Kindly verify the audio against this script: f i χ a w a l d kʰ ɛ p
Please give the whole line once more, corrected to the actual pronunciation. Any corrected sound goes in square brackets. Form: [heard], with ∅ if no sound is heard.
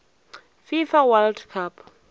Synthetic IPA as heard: f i [f] a w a l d kʰ [a] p